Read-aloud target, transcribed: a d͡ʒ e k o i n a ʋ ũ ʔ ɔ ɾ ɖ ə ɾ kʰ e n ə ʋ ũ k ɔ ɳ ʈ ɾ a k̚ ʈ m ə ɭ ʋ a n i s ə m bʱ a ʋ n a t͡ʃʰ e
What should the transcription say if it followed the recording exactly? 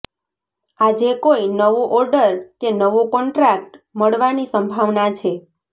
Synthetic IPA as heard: a d͡ʒ e k o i n ə ʋ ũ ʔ ɔ ɾ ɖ ə ɾ k e n ə ʋ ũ k ɔ ɳ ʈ ɾ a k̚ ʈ m ə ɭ ʋ a n i s ə m bʱ a ʋ n a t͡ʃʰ e